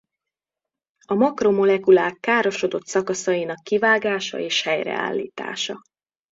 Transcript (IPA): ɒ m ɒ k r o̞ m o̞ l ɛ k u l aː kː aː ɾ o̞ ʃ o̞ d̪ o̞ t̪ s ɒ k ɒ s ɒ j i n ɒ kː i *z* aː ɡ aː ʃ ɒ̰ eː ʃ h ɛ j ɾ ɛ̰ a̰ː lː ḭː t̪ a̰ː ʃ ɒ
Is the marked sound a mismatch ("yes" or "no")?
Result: yes